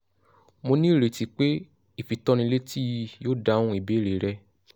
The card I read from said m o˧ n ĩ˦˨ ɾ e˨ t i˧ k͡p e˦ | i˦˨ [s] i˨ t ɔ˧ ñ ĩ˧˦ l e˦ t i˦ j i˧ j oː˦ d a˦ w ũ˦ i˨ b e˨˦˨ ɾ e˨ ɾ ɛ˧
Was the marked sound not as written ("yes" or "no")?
yes